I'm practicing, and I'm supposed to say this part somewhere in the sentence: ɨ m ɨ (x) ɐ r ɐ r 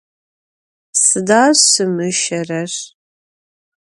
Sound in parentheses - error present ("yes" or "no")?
yes